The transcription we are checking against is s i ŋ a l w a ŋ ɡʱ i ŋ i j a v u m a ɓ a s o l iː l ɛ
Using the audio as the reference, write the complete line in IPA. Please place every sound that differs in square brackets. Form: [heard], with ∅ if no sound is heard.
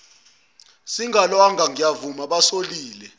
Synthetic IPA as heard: s i ŋ a l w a ŋ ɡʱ [a] ŋ i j a v u m a ɓ a s o l iː l ɛ